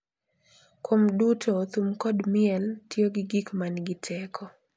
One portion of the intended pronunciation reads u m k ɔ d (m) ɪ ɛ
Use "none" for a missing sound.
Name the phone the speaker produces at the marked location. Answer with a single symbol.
m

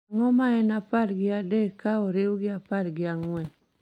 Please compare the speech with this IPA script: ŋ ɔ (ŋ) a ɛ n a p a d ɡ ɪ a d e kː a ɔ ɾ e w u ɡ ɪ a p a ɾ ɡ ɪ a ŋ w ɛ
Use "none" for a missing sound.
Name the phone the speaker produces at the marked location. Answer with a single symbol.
m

